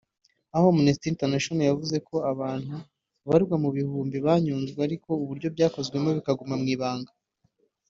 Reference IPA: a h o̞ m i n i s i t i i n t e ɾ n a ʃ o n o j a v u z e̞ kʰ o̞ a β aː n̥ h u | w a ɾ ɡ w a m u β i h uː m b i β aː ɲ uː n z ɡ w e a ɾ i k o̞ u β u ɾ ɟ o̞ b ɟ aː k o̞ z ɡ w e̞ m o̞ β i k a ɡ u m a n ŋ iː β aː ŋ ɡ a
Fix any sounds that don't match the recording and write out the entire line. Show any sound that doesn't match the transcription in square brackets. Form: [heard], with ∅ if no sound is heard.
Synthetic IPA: a h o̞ m i n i s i t i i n t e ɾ n a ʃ o n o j a v u z e̞ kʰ o̞ a β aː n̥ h u | [β] a ɾ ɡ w a m u β i h uː m b i β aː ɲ uː n z ɡ w e a ɾ i k o̞ u β u ɾ ɟ o̞ b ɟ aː k o̞ z ɡ w e̞ m o̞ β i k a ɡ u m a [m] ŋ iː β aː ŋ ɡ a